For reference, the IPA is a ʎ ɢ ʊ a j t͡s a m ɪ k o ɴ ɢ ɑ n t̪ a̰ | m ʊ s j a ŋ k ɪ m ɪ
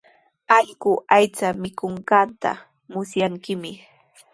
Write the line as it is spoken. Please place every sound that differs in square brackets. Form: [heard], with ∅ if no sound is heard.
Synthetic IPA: a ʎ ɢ ʊ a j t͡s a m ɪ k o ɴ ɢ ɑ n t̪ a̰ | m ʊ s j a ŋ k ɪ m ɪ